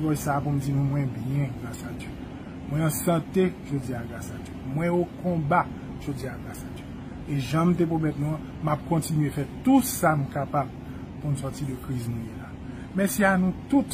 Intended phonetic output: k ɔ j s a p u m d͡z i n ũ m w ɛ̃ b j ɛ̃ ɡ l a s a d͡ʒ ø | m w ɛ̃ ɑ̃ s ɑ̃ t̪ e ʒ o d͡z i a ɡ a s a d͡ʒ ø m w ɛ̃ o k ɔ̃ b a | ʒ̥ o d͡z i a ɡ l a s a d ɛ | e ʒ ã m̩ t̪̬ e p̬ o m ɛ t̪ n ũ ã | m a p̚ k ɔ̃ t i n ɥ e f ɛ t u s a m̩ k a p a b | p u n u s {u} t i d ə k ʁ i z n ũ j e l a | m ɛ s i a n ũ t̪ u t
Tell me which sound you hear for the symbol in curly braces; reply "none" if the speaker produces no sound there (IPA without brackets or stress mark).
ɔ